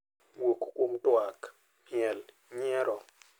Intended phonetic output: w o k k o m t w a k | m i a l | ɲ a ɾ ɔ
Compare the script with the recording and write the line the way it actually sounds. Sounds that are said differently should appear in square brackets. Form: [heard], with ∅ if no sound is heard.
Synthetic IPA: w o k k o m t w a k | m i [ɛ] l | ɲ [ɛ] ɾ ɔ